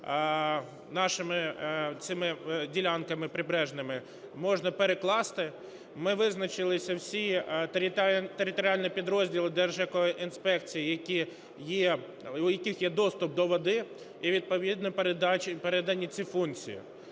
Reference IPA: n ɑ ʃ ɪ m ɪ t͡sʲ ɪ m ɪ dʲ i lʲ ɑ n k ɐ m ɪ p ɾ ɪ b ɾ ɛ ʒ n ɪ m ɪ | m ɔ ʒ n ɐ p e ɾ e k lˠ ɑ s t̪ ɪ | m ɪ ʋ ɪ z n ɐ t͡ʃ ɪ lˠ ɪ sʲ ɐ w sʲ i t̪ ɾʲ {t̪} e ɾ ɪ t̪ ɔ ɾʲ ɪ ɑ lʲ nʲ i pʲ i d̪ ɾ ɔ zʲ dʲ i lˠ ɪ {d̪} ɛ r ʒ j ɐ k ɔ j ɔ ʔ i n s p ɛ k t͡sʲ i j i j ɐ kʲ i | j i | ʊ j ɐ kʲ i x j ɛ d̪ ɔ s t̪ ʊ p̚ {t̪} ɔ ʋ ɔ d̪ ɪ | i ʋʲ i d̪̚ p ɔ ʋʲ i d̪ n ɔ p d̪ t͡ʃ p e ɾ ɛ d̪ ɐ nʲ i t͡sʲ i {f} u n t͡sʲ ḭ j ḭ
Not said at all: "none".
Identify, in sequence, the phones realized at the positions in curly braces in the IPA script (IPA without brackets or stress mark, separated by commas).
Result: t̪, d̪, d̪, f